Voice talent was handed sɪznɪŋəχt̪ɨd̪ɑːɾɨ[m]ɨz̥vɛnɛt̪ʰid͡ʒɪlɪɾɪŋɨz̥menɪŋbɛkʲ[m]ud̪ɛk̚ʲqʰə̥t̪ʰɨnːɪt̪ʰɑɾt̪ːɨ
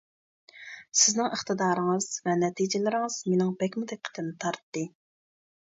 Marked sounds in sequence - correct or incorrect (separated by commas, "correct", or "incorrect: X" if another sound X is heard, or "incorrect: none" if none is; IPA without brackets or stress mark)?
incorrect: ŋ, correct